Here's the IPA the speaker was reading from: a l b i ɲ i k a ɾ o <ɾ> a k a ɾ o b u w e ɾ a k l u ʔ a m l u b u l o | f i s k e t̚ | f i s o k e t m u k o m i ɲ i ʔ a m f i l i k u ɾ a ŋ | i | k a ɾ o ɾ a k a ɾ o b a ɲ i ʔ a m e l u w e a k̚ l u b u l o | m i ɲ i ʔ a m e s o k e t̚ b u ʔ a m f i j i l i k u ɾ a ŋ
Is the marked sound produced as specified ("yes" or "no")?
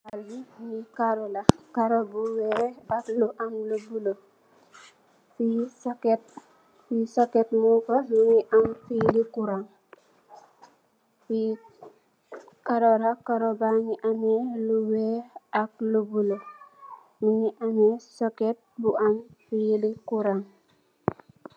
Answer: no